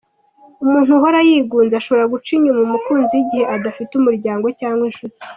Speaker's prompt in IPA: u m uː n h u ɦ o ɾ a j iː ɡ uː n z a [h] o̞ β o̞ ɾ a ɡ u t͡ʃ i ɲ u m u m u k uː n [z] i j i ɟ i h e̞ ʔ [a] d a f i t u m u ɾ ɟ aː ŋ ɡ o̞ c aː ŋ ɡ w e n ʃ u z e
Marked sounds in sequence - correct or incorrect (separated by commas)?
incorrect, correct, correct